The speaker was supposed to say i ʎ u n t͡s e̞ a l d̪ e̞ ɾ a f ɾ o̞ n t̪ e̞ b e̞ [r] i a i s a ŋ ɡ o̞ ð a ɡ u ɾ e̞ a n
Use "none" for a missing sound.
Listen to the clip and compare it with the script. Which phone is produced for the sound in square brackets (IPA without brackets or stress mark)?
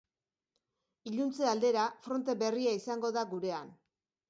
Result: r